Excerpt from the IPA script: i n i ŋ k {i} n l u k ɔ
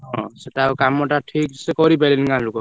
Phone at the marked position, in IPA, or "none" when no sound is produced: a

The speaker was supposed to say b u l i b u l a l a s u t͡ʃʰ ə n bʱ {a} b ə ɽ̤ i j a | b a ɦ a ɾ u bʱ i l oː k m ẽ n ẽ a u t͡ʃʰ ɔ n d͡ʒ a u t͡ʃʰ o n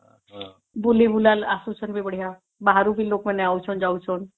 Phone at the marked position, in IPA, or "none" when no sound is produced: i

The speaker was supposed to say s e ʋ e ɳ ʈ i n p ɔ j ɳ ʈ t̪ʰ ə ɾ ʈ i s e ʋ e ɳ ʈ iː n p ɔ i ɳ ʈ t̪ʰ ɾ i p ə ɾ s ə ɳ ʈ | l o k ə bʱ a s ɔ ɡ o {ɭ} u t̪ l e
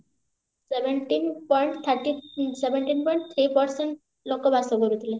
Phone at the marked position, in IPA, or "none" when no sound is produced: ɾ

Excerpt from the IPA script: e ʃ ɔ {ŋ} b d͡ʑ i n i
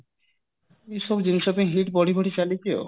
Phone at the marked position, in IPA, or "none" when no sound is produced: none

